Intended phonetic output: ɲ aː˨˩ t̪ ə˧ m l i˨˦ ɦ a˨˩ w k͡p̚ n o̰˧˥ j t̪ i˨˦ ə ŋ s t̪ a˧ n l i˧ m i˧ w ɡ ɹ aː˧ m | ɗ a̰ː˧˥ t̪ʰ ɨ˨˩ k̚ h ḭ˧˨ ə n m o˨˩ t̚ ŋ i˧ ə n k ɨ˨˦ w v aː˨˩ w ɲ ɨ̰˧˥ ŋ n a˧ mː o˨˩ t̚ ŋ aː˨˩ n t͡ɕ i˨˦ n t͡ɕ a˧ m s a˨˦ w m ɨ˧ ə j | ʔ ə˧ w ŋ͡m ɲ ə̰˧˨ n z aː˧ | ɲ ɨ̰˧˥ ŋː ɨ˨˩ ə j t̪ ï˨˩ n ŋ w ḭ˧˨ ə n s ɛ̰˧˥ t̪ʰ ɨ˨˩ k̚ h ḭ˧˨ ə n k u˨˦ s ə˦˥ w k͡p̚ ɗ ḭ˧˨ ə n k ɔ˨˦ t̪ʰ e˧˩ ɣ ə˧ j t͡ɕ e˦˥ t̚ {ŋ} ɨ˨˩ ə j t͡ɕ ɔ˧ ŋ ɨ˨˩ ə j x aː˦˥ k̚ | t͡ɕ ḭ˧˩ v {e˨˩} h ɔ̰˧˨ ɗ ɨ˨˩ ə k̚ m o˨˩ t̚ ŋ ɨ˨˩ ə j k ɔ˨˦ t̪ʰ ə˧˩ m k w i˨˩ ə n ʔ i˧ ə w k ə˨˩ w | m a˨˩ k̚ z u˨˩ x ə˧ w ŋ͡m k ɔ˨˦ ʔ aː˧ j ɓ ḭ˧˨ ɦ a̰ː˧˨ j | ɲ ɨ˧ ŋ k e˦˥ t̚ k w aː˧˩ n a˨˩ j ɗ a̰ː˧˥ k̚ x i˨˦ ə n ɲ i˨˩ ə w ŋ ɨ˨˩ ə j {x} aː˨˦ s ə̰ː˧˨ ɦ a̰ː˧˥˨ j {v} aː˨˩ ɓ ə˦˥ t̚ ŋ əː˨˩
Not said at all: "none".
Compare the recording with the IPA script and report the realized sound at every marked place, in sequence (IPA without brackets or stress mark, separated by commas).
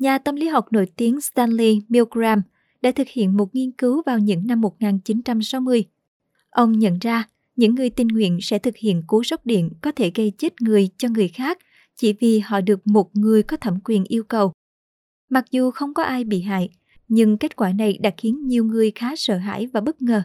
ŋ, i˨˩, x, v